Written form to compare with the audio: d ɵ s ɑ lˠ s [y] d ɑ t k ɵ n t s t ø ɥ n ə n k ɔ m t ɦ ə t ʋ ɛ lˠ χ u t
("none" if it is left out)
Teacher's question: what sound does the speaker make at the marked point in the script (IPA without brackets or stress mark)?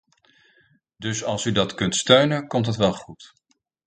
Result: y